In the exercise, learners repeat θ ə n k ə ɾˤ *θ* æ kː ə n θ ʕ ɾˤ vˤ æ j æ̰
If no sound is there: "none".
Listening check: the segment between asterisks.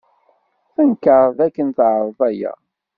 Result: ð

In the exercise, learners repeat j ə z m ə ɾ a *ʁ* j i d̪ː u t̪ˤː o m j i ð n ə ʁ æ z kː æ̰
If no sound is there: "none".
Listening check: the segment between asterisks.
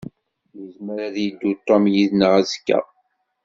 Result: ð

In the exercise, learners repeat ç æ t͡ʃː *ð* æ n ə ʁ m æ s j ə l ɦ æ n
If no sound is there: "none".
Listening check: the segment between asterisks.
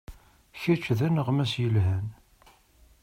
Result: ð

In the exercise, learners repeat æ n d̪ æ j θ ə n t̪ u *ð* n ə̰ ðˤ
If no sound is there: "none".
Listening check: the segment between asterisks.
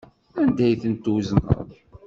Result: z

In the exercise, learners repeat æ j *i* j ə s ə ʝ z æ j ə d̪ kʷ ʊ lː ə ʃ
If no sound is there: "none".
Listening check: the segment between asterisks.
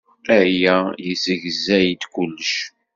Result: æ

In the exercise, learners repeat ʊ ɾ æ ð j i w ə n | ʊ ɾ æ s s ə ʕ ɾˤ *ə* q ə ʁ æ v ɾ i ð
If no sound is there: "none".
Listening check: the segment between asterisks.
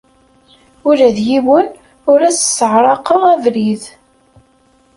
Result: ɑ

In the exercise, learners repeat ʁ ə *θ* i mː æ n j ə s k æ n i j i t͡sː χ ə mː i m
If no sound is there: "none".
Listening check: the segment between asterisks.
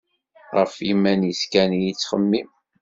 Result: f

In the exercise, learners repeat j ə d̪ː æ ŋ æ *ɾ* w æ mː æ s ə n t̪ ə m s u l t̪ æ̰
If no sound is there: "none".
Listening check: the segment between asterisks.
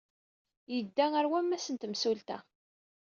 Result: ɾ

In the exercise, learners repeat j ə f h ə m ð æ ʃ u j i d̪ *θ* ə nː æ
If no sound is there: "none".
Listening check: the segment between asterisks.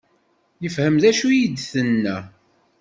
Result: θ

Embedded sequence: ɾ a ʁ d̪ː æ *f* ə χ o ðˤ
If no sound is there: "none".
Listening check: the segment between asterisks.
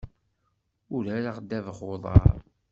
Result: v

